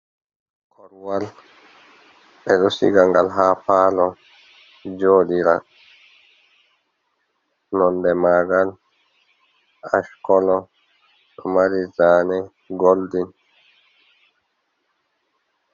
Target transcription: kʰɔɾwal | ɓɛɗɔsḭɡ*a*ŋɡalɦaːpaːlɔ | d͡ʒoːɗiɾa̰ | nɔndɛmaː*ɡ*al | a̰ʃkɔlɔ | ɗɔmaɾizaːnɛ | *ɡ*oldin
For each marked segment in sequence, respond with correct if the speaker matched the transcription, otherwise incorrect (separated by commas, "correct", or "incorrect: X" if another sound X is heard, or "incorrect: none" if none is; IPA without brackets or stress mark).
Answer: correct, correct, correct